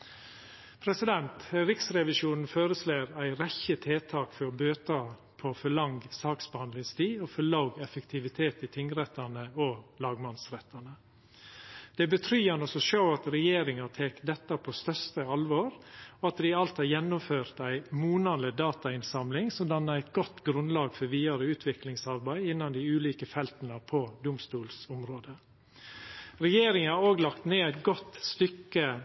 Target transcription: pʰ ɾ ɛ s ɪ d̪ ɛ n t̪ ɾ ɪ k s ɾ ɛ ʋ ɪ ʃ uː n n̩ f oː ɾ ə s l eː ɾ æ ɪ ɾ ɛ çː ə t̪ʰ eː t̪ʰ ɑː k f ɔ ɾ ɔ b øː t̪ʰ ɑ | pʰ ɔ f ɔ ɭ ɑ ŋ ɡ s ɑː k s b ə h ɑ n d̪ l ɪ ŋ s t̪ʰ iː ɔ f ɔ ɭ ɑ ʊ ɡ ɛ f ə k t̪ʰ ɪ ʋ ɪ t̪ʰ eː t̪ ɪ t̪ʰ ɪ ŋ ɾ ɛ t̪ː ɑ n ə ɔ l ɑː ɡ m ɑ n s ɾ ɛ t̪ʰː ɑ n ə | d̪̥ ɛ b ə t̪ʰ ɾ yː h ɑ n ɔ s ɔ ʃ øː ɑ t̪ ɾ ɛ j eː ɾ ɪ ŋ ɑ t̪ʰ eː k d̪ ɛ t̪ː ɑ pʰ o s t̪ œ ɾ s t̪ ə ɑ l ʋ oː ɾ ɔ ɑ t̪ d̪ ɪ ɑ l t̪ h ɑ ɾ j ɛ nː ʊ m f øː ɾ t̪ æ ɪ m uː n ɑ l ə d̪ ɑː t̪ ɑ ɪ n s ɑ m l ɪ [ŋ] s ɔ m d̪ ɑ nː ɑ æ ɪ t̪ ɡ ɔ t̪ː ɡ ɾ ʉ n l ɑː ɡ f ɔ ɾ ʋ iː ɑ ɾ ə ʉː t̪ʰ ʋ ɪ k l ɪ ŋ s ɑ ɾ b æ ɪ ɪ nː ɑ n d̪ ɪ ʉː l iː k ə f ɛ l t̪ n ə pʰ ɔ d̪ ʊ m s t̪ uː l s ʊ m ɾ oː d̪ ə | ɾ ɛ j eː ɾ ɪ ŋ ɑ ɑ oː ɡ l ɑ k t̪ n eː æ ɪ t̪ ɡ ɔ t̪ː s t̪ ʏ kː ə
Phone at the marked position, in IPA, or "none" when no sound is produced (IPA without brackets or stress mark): ŋ